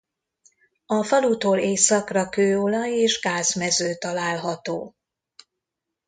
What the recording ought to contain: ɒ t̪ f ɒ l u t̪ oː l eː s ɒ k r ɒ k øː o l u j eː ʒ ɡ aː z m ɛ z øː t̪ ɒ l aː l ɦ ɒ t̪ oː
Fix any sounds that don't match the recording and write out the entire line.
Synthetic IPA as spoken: ɒ f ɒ l u t̪ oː l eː s ɒ k r ɒ k øː o l ɒ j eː ʒ ɡ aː z m ɛ z øː t̪ ɒ l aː l ɦ ɒ t̪ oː